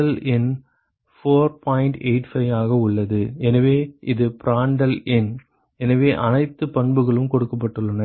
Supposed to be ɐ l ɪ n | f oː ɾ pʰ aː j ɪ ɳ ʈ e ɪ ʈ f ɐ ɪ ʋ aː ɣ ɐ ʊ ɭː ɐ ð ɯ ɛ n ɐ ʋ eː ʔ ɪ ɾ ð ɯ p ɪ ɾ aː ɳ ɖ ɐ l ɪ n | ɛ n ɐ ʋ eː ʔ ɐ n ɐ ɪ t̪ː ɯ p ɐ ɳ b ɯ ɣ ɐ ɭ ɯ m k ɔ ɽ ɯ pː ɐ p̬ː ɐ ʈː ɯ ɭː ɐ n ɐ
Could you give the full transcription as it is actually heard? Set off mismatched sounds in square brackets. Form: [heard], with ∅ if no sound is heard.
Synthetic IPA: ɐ l ɪ n | f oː ɾ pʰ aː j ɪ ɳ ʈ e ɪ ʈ f ɐ ɪ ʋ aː ɣ ɐ ʊ ɭː ɐ ð ɯ ɛ n ɐ ʋ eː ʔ ɪ [∅] ð ɯ p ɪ ɾ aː ɳ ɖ ɐ l ɪ n | ɛ n ɐ ʋ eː ʔ ɐ n ɐ ɪ t̪ː ɯ p ɐ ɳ b ɯ ɣ ɐ ɭ ɯ m k ɔ ɽ ɯ [kː] ɐ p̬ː ɐ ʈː ɯ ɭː ɐ n ɐ

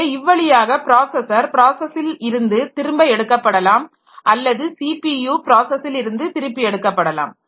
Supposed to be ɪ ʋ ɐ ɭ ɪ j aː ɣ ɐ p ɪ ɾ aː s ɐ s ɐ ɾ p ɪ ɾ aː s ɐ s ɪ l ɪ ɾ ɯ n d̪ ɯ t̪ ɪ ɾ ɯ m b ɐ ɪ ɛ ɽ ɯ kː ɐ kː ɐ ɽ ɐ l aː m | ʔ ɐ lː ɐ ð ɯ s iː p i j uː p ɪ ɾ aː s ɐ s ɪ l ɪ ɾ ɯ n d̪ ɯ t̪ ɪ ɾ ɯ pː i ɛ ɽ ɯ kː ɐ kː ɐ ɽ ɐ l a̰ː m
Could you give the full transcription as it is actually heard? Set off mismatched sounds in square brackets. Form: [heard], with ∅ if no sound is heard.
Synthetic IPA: ɪ [ʋː] ɐ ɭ ɪ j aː ɣ ɐ p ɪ ɾ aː s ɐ s ɐ ɾ p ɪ ɾ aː s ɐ s ɪ l ɪ ɾ ɯ n d̪ ɯ t̪ ɪ ɾ ɯ m b ɐ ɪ ɛ ɽ ɯ kː ɐ [pː] ɐ ɽ ɐ l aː m | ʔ ɐ lː ɐ ð ɯ s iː p i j uː p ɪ ɾ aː s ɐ s ɪ l ɪ ɾ ɯ n d̪ ɯ t̪ ɪ ɾ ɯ pː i ɛ ɽ ɯ kː ɐ [pː] ɐ ɽ ɐ l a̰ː m

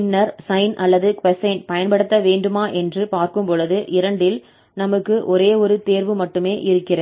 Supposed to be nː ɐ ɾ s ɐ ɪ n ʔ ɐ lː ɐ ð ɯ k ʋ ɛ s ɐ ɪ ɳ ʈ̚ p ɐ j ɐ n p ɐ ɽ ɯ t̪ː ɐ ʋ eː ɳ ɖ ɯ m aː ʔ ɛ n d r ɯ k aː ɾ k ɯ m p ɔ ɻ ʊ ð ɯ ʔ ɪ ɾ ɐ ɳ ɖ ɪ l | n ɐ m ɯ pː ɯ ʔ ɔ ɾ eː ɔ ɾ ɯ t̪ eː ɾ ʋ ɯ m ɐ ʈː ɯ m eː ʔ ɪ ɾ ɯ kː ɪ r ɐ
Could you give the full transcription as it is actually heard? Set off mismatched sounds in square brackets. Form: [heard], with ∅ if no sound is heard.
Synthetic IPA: nː ɐ ɾ s ɐ ɪ n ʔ ɐ lː ɐ ð ɯ k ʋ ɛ s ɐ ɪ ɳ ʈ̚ p ɐ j ɐ n p ɐ ɽ ɯ t̪ː ɐ ʋ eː ɳ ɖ ɯ m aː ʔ ɛ n d r ɯ [p] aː ɾ k ɯ m p ɔ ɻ [ɯ] ð ɯ ʔ ɪ ɾ ɐ ɳ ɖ ɪ l | n ɐ m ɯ [kː] ɯ ʔ ɔ ɾ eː ɔ ɾ ɯ t̪ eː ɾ ʋ ɯ m ɐ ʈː ɯ m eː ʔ ɪ ɾ ɯ kː ɪ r ɐ

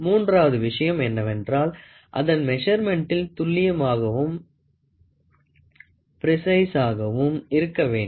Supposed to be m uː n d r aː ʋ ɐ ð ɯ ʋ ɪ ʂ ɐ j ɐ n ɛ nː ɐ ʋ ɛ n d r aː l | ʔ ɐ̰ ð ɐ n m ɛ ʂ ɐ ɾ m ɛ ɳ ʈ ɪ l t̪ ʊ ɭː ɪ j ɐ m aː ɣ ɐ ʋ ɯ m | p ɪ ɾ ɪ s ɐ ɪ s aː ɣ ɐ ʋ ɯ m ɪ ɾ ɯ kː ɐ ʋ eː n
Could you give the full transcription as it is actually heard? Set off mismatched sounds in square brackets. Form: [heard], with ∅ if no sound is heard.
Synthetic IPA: m uː n d r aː ʋ ɐ ð ɯ ʋ ɪ ʂ ɐ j ɐ [m] ɛ nː ɐ ʋ ɛ n d r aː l | ʔ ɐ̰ ð ɐ n m ɛ ʂ ɐ ɾ m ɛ ɳ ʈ ɪ l t̪ ʊ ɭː ɪ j ɐ m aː ɣ ɐ ʋ ɯ m | p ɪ ɾ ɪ s ɐ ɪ s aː ɣ ɐ ʋ ɯ m ɪ ɾ ɯ kː ɐ ʋ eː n

